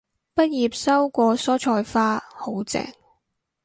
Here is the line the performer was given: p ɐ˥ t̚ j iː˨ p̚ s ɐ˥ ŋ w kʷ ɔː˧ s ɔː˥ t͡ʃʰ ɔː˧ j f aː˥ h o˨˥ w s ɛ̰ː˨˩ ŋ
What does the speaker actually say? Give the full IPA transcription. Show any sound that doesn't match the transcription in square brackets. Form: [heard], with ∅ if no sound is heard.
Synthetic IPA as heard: p ɐ˥ t̚ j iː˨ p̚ s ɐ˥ [∅] w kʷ ɔː˧ s ɔː˥ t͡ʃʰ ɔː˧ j f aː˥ h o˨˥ w [t͡s] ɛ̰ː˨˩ ŋ